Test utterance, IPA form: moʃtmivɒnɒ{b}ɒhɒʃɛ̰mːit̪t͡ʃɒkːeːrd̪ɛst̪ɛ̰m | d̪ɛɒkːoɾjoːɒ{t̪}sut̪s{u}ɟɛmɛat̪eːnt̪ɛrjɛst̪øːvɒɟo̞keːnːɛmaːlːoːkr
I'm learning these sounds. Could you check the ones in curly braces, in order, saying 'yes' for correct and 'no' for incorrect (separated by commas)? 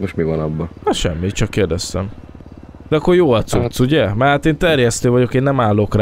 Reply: no, yes, yes